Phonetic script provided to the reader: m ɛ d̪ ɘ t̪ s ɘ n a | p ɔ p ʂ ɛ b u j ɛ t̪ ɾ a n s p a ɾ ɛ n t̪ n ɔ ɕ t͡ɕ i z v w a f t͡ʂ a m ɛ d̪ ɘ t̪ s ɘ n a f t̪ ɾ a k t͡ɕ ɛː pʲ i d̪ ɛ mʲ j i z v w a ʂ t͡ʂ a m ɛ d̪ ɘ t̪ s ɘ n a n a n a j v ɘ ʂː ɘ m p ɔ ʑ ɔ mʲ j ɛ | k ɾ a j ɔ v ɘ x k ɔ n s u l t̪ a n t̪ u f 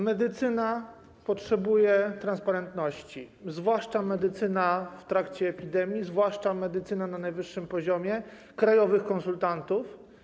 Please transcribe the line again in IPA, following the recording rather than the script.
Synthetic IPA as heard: m ɛ d̪ ɘ t̪ s ɘ n a | p ɔ t ʂ ɛ b u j ɛ t̪ ɾ a n s p a ɾ ɛ n t̪ n ɔ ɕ t͡ɕ i z v w a ʂ t͡ʂ a m ɛ d̪ ɘ t̪ s ɘ n a f t̪ ɾ a k t͡ɕ ɛː pʲ i d̪ ɛ mʲ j i z v w a ʂ t͡ʂ a m ɛ d̪ ɘ t̪ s ɘ n a n a n a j v ɘ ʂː ɘ m p ɔ ʑ ɔ mʲ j ɛ | k ɾ a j ɔ v ɘ x k ɔ n s u l t̪ a n t̪ u f